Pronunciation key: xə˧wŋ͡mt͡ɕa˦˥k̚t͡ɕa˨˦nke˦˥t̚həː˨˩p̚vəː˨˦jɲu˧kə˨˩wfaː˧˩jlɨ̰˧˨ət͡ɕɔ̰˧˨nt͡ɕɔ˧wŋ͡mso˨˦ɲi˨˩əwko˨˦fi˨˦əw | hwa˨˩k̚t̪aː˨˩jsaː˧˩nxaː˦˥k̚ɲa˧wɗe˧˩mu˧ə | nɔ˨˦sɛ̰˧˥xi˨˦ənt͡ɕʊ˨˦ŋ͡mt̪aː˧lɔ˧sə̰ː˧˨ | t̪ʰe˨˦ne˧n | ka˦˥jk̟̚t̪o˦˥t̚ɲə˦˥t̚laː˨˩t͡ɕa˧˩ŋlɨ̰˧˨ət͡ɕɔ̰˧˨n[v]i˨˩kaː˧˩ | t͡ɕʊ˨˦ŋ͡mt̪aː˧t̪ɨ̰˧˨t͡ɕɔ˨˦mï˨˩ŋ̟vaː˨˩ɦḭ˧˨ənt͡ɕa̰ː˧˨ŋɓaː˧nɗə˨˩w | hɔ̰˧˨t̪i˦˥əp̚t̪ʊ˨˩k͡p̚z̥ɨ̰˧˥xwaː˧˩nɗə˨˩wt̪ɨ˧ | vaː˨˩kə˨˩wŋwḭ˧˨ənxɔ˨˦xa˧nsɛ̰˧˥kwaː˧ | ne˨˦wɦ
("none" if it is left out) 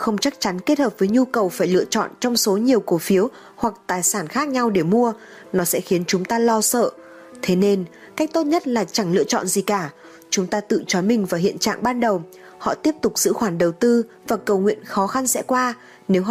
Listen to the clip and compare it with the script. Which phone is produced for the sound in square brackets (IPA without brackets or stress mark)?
z